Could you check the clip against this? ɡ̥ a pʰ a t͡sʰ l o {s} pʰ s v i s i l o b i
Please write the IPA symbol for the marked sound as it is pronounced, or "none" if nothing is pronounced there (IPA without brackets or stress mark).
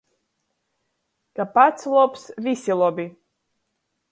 none